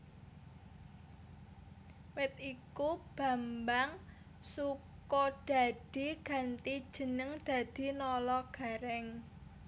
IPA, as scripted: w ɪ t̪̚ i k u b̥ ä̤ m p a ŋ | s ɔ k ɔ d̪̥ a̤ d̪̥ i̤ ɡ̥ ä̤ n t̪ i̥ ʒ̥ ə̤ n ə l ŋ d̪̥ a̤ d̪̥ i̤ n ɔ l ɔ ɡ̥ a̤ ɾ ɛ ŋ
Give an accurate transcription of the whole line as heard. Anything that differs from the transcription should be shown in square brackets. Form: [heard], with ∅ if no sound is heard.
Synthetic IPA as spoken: w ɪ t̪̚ i k u b̥ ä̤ m [b] a ŋ | s [u] k ɔ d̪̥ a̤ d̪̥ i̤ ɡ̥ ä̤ n t̪ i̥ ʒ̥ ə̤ n ə [∅] ŋ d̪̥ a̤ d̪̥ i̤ n ɔ l ɔ ɡ̥ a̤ ɾ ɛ ŋ